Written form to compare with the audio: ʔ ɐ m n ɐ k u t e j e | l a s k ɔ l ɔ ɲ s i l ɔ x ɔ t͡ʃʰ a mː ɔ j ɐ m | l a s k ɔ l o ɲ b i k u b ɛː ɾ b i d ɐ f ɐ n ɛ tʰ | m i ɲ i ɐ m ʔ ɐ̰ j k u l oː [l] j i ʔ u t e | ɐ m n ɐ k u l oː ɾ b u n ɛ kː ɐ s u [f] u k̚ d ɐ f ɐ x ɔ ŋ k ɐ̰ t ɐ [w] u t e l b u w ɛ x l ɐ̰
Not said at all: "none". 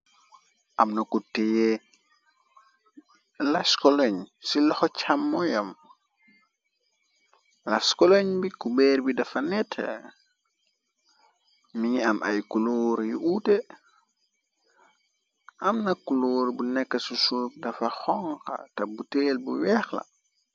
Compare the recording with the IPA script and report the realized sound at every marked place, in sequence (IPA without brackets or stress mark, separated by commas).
ɾ, s, b